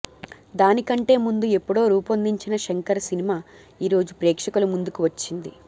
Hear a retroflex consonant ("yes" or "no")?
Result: yes